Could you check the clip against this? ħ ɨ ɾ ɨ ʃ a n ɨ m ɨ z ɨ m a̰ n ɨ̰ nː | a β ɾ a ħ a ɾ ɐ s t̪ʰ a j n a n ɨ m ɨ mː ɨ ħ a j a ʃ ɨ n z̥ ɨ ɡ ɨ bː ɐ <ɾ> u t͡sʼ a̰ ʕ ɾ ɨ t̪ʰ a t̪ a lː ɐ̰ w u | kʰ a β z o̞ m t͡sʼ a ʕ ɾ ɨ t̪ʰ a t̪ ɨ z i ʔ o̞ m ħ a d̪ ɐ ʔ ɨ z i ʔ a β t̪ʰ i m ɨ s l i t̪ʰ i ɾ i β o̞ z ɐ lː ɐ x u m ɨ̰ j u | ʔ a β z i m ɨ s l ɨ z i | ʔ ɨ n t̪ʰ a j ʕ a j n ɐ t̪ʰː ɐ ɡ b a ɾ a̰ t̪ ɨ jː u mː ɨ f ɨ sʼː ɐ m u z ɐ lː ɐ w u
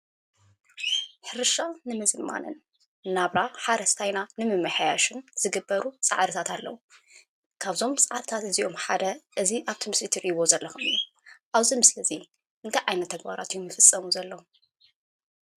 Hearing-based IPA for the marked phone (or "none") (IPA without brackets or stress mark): ɾ